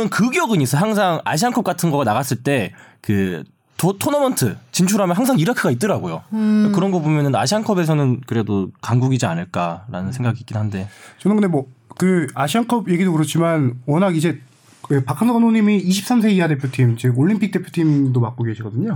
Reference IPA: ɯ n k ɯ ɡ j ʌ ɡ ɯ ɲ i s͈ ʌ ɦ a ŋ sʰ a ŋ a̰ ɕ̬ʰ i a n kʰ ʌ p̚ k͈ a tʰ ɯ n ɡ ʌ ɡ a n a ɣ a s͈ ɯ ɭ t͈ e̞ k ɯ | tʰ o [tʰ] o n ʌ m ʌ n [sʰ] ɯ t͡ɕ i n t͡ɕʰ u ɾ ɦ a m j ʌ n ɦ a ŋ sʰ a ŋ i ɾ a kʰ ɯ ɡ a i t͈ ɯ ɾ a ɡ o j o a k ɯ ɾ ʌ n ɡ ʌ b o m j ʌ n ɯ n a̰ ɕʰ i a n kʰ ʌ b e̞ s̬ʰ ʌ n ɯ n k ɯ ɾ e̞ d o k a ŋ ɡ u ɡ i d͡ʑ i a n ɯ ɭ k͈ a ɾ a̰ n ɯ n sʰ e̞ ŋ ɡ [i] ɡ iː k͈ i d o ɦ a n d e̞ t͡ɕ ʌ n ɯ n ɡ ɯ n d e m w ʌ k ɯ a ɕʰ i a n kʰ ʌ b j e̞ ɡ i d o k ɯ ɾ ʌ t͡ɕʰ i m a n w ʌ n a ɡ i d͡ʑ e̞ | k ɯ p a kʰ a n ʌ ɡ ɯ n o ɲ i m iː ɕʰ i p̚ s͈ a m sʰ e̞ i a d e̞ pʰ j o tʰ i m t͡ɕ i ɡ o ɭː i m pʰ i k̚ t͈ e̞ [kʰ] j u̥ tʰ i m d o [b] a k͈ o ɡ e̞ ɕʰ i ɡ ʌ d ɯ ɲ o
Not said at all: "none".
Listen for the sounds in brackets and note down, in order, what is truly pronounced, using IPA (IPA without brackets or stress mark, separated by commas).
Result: tʰ, tʰ, a, pʰ, m